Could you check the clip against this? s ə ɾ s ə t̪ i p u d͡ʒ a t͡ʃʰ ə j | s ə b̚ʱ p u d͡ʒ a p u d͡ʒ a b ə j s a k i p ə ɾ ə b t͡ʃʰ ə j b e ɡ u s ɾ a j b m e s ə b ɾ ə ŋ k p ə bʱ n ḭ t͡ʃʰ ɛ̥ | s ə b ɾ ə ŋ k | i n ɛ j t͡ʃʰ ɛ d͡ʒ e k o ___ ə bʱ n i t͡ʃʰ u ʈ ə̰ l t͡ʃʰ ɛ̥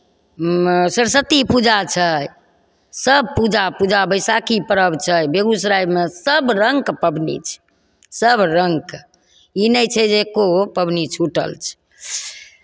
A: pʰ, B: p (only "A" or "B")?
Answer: B